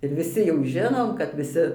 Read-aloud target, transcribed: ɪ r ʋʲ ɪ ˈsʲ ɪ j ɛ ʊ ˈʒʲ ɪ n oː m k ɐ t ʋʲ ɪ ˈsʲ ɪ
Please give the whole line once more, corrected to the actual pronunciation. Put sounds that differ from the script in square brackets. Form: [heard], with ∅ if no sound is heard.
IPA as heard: ɪ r ʋʲ ɪ ˈsʲ ɪ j ɛ ʊ ˈʒʲ ɪ n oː m k ɐ t ʋʲ ɪ ˈsʲ ɪ